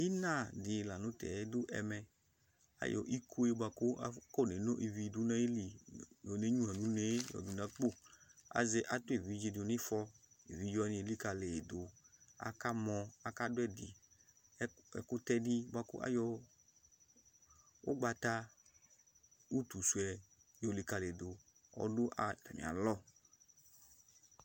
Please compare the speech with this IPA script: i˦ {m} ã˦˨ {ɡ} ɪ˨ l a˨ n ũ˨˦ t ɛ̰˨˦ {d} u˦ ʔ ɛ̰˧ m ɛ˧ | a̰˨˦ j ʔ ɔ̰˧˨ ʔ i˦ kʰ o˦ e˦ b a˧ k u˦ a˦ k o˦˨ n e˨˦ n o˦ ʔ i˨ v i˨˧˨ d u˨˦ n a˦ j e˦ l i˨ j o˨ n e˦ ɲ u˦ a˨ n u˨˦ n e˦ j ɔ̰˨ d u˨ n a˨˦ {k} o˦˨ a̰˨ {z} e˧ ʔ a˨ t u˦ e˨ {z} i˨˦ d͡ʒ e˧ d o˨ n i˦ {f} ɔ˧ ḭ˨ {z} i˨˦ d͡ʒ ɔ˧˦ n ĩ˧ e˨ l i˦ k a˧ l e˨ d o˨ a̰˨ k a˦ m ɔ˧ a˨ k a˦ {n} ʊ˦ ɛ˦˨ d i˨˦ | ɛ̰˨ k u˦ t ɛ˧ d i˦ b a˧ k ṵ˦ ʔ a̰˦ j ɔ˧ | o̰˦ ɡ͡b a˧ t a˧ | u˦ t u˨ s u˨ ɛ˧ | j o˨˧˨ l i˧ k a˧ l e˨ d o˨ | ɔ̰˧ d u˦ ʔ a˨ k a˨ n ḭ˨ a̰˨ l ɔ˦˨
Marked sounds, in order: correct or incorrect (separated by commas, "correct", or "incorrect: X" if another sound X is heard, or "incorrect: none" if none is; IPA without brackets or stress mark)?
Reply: incorrect: n, incorrect: d, correct, incorrect: k͡p, correct, incorrect: v, correct, incorrect: v, incorrect: d